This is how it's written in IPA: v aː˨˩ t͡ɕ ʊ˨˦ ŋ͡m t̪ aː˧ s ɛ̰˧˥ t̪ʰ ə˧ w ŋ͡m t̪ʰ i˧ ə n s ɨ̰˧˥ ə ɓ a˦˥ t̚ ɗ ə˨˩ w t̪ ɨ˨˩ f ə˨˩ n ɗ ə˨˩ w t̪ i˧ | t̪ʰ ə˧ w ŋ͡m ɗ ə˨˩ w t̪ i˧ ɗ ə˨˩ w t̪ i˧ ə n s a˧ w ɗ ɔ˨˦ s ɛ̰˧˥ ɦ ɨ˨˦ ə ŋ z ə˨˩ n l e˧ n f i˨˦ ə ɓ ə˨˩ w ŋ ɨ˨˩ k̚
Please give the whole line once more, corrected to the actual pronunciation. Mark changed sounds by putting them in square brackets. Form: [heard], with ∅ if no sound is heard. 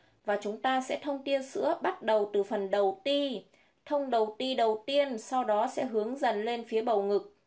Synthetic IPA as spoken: v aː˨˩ t͡ɕ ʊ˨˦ ŋ͡m t̪ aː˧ s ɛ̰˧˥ t̪ʰ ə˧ w ŋ͡m [t̪] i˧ ə n s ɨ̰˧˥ ə ɓ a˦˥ t̚ ɗ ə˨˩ w t̪ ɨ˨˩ f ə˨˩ n ɗ ə˨˩ w t̪ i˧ | t̪ʰ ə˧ w ŋ͡m ɗ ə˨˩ w t̪ i˧ ɗ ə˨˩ w t̪ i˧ ə n s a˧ w ɗ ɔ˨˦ s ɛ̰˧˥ ɦ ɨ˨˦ ə ŋ z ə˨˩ n l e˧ n f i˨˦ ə ɓ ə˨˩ w ŋ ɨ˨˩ k̚